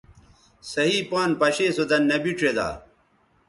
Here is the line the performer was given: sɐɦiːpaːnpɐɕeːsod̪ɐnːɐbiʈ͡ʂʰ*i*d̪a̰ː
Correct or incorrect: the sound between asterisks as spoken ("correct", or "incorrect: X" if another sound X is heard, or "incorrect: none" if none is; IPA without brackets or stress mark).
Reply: incorrect: e